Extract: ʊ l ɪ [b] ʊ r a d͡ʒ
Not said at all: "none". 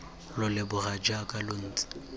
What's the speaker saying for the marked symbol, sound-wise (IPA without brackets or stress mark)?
b